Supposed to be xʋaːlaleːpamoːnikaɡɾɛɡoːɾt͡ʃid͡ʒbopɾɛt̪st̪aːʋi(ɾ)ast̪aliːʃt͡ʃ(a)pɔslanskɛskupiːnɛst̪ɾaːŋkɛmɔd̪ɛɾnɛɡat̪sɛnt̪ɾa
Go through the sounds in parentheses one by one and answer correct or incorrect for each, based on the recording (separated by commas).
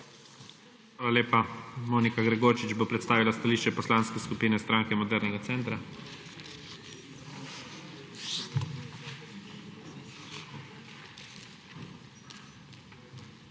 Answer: incorrect, incorrect